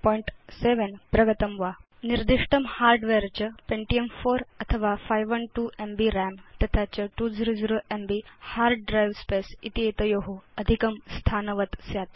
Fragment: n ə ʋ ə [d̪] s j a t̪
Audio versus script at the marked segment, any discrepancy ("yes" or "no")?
yes